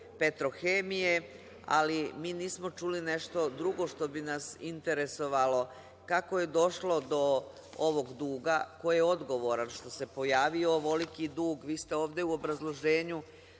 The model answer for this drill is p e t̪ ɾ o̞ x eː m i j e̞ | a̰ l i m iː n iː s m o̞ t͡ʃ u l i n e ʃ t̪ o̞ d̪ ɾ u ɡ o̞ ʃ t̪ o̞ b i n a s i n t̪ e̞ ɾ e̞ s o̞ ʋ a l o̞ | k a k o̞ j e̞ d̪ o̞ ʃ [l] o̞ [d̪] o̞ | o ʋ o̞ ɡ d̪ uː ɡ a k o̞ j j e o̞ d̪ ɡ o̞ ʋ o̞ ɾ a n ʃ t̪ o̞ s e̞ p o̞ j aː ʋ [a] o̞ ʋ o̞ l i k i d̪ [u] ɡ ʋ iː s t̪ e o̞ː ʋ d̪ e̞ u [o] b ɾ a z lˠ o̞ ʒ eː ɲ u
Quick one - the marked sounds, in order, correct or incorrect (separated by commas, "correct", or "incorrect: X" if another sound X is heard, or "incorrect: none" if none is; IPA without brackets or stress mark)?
correct, correct, incorrect: i, incorrect: uː, correct